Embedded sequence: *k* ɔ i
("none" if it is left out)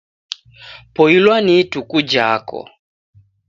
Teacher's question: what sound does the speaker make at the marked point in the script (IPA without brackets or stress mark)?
p